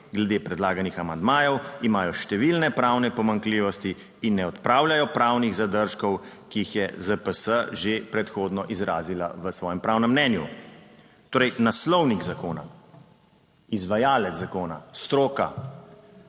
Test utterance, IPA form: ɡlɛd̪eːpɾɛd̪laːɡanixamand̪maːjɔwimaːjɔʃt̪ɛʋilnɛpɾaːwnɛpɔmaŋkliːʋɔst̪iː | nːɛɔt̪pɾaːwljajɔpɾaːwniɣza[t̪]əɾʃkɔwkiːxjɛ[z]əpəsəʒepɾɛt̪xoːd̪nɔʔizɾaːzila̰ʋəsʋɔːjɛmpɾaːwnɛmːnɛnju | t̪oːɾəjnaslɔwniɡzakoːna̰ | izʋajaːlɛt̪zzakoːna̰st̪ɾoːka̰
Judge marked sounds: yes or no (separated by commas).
no, yes